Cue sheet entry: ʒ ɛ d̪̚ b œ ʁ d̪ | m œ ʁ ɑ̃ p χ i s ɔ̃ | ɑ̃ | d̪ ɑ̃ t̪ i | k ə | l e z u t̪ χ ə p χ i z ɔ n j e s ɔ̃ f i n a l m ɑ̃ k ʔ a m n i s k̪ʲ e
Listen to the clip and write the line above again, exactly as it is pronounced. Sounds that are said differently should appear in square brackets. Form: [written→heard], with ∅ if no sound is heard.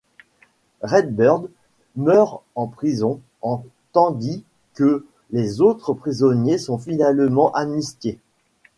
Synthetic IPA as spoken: [ʒ→ʁ] ɛ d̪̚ b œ ʁ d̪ | m œ ʁ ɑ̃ p χ i [s→z] ɔ̃ | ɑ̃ | [d̪→t̪] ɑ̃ [t̪→d̪] i | k ə | l e z [u→o] t̪ χ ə p χ i z ɔ n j e s ɔ̃ f i n a l m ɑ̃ [k→∅] ʔ a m n i s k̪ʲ e